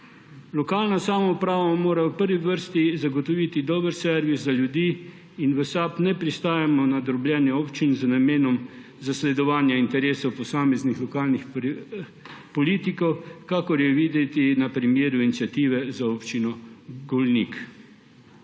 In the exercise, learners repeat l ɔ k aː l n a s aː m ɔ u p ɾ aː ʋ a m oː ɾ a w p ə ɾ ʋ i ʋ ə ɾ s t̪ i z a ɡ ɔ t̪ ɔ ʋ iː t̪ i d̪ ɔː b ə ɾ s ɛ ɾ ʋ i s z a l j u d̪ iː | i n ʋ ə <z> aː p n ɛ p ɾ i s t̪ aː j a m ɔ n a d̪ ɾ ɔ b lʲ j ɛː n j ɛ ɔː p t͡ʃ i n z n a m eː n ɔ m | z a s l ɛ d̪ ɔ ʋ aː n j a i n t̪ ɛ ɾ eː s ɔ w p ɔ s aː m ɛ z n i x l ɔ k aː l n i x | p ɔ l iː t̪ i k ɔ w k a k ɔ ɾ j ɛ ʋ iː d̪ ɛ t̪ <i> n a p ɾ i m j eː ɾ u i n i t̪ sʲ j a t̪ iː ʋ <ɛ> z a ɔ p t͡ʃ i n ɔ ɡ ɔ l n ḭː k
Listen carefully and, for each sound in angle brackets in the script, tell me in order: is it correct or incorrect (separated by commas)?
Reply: incorrect, correct, correct